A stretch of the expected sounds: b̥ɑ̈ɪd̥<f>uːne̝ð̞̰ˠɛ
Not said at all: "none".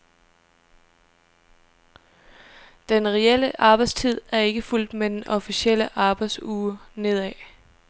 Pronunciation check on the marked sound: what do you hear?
s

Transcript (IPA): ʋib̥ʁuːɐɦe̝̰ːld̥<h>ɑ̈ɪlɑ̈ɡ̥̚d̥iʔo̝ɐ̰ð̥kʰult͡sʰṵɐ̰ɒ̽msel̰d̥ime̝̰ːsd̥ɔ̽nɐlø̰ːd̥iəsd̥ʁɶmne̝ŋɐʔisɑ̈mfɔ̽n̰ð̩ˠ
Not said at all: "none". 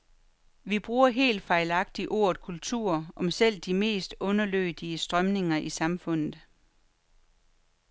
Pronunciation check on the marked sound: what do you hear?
f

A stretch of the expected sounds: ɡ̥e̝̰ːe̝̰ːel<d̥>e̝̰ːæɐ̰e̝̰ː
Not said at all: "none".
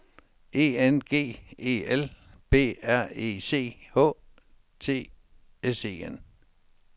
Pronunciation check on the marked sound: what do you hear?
b̥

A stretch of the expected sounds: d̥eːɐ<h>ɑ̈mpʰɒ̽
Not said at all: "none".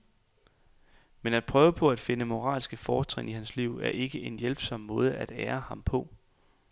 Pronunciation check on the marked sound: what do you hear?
h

